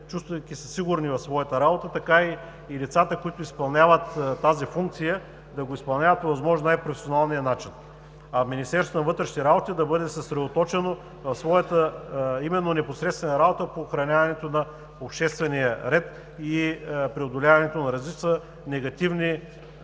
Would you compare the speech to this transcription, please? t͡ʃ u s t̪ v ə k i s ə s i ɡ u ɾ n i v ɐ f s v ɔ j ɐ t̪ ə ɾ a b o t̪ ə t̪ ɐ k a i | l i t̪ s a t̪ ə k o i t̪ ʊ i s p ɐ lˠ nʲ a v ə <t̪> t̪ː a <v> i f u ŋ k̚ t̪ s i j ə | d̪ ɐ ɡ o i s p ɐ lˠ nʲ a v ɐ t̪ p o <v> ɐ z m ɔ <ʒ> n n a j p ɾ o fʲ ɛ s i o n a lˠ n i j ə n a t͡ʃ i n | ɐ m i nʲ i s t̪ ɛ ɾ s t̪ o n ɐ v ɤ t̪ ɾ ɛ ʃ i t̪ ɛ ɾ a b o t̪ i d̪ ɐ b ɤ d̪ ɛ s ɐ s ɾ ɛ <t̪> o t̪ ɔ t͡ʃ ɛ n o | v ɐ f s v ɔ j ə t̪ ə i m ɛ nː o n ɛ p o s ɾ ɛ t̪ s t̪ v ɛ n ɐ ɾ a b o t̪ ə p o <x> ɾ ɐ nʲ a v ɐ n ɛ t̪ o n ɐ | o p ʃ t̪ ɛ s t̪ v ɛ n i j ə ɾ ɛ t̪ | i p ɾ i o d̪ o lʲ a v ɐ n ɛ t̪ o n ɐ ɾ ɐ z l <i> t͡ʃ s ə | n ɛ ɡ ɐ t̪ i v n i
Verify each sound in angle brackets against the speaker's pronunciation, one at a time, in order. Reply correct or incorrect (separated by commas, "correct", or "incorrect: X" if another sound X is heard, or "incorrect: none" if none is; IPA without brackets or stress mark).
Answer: correct, incorrect: z, correct, correct, incorrect: d̪, correct, correct